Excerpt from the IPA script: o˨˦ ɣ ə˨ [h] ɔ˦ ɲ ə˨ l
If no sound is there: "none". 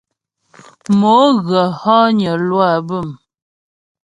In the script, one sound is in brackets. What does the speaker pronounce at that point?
h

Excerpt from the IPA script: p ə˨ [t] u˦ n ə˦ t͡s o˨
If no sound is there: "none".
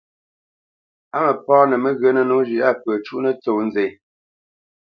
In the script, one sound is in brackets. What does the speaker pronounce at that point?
t͡ʃ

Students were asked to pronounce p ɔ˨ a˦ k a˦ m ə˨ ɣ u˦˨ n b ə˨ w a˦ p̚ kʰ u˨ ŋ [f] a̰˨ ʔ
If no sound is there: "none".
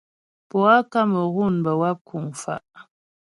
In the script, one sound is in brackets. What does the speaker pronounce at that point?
f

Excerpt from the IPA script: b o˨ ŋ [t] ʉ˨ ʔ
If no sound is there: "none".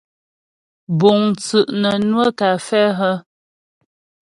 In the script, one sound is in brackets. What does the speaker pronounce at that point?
t͡s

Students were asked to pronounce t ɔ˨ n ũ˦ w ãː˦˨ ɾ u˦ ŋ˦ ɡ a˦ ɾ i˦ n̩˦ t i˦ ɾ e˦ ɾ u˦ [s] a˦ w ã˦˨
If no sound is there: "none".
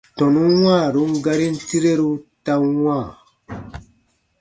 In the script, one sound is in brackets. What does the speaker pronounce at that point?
t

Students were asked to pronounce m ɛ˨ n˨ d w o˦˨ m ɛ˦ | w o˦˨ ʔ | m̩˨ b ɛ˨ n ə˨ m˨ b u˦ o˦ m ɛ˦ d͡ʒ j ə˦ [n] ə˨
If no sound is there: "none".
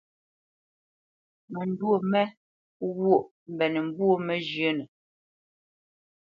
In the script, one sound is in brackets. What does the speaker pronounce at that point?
n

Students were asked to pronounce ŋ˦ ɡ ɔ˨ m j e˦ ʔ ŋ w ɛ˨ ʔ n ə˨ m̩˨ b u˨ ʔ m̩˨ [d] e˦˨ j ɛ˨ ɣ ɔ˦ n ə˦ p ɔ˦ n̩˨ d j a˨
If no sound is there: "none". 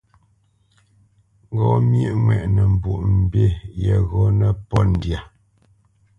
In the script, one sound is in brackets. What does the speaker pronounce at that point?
b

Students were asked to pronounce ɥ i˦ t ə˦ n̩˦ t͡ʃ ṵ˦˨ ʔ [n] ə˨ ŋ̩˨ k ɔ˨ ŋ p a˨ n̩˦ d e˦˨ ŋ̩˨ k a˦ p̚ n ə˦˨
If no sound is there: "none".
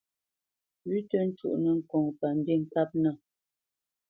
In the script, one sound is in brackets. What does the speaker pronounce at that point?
n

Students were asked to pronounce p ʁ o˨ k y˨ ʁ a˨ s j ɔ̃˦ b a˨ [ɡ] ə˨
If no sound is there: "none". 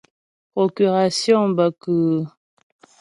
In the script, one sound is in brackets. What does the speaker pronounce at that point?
k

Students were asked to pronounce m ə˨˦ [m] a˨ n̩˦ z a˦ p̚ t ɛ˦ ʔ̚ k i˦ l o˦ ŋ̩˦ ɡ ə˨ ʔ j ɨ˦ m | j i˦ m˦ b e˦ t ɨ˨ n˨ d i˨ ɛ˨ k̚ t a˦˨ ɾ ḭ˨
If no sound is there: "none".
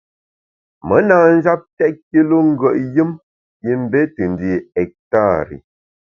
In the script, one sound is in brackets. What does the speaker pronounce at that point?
n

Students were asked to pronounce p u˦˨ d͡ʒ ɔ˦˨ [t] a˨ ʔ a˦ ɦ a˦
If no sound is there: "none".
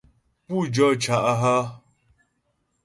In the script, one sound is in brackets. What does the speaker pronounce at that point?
t͡ʃ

